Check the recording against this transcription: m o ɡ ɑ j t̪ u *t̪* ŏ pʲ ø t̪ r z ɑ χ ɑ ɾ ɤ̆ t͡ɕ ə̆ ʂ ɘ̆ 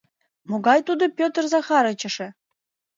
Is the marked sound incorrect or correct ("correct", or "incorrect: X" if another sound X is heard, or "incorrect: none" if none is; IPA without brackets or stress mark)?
incorrect: d̪